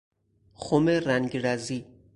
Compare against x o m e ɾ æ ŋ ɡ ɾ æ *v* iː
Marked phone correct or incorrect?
incorrect